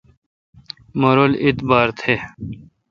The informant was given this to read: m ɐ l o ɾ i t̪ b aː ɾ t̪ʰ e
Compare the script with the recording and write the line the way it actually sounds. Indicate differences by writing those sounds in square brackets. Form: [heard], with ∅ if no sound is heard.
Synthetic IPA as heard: m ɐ [ɾ] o [l] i t̪ b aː ɾ t̪ʰ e

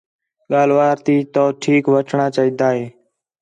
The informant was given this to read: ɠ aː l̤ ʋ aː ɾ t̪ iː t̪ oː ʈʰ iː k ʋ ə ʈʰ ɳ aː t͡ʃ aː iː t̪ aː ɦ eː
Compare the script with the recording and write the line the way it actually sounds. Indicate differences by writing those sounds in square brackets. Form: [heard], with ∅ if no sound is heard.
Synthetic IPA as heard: ɠ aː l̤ ʋ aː ɾ t̪ iː t̪ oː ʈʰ iː k ʋ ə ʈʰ ɳ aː t͡ʃ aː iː [d̪] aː ɦ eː

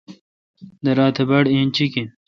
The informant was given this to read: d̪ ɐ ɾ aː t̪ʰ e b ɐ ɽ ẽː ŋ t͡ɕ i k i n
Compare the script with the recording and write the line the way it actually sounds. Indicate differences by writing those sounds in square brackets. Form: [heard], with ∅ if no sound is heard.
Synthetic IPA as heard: d̪ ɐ ɾ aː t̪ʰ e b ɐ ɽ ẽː [n] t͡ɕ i k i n

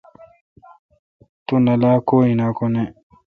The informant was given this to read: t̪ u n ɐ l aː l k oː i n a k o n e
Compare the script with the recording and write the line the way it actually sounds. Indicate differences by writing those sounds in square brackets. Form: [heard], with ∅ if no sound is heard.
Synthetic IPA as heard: t̪ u n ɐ l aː [∅] k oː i n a k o n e

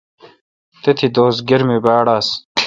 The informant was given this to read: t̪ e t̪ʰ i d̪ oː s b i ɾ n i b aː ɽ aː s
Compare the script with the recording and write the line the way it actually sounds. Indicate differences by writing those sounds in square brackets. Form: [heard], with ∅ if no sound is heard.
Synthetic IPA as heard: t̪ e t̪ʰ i d̪ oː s [ɡ] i ɾ [m] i b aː ɽ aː s

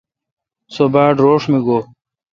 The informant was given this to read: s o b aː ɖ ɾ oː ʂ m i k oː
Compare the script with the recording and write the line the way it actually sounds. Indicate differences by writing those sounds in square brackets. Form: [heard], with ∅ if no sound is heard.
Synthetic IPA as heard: s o b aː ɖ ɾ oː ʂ m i [ɡ] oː

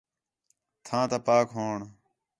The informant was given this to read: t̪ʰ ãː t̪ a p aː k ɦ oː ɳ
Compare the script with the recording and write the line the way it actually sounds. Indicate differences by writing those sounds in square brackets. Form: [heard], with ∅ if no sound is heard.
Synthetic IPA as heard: t̪ʰ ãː t̪ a p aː k ɦ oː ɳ

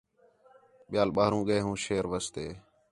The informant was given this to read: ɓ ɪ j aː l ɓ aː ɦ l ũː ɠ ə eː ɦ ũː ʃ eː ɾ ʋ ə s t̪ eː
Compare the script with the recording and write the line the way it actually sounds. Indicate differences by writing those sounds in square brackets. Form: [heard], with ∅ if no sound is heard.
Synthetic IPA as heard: ɓ ɪ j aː l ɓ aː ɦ [ɾ] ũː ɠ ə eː ɦ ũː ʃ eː ɾ ʋ ə s t̪ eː

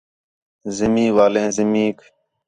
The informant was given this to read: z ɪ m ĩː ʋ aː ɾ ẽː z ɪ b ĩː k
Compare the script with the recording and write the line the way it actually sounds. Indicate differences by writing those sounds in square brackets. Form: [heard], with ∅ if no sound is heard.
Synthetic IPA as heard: z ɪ m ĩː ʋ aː [l] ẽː z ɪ [m] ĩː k

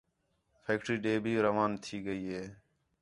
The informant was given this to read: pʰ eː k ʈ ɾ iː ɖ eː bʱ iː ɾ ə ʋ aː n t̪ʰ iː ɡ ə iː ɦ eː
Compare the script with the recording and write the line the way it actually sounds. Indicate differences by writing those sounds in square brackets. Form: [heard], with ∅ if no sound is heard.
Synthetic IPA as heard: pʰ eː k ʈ ɾ iː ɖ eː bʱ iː ɾ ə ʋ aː n t̪ʰ iː ɡ ə iː ɦ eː

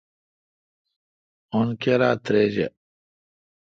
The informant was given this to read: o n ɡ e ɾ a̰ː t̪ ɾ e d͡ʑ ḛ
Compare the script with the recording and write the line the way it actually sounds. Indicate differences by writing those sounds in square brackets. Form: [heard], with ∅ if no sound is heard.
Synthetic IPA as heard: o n [k] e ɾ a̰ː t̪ ɾ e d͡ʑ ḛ

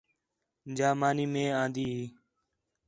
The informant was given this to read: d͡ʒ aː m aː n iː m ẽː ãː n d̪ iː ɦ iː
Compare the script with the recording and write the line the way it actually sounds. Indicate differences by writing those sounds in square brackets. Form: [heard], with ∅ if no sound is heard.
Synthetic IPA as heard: d͡ʒ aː m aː n iː m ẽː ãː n d̪ iː ɦ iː

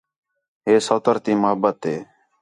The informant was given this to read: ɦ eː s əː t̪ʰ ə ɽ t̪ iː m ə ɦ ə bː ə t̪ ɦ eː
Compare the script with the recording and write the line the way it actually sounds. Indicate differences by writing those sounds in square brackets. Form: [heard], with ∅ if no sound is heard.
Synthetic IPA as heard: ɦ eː s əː [t̪] ə [ɾ] t̪ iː m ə ɦ ə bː ə t̪ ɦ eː

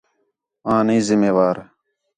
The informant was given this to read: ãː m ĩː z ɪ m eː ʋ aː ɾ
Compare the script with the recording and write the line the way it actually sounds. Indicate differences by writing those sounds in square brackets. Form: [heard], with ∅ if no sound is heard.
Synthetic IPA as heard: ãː [n] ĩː z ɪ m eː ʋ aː ɾ

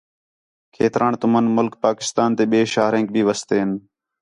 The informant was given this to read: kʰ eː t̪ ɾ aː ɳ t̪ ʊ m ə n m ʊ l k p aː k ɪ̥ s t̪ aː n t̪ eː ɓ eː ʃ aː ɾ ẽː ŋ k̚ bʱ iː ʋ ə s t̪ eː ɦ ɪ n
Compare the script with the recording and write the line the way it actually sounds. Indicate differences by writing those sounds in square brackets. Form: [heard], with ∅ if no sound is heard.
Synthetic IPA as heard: kʰ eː t̪ ɾ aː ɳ t̪ ʊ m ə n m ʊ l k p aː k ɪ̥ s t̪ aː n t̪ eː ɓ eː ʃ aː ɾ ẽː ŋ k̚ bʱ iː ʋ ə s t̪ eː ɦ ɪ n

